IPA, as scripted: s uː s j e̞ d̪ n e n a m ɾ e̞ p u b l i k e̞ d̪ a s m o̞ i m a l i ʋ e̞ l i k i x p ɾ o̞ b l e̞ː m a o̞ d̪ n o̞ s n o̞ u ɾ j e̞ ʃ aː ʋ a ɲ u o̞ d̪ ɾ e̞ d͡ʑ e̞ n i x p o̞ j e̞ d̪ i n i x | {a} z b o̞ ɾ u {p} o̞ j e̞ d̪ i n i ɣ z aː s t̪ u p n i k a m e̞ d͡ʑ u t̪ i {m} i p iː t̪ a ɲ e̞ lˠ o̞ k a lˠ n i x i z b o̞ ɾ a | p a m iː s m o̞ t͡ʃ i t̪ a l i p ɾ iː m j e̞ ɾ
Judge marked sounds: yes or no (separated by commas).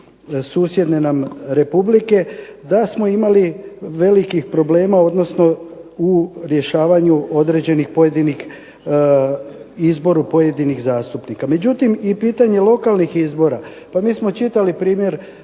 no, yes, yes